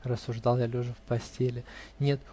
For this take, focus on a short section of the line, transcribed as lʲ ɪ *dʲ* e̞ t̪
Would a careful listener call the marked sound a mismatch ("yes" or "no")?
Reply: yes